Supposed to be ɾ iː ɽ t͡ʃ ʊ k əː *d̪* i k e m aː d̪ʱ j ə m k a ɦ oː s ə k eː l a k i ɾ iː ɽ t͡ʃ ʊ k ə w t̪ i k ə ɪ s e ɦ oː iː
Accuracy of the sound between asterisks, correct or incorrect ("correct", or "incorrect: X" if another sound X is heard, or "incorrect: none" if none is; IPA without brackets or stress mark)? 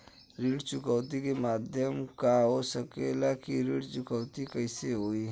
incorrect: t̪